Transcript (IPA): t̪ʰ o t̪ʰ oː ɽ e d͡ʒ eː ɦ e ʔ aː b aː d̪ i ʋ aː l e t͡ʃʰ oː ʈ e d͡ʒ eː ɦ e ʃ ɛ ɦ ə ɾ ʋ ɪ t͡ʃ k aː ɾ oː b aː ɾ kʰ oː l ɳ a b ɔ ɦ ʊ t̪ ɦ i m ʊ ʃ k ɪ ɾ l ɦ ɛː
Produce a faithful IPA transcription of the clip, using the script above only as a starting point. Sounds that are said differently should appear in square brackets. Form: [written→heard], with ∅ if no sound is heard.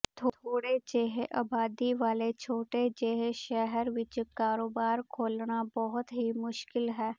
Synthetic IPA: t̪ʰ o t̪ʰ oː ɽ e d͡ʒ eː ɦ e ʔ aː b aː d̪ i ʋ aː l e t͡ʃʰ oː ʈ e d͡ʒ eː ɦ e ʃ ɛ ɦ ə ɾ ʋ ɪ t͡ʃ k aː ɾ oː b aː ɾ kʰ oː l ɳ a b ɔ ɦ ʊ t̪ ɦ i m ʊ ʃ k ɪ [ɾ→∅] l ɦ ɛː